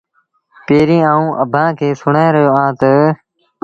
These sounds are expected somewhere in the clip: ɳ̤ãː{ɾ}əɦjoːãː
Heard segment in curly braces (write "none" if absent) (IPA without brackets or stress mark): ɾ